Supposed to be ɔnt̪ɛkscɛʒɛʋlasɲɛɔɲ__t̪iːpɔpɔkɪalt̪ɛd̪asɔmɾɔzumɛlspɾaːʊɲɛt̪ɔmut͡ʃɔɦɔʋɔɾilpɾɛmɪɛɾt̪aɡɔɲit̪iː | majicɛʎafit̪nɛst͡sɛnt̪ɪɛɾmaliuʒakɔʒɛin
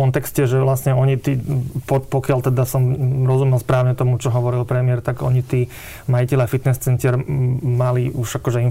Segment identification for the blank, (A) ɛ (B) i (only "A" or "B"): B